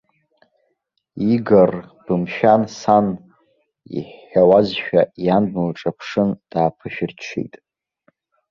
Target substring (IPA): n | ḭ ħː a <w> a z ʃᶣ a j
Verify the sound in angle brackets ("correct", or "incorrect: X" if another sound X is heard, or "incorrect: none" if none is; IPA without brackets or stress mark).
correct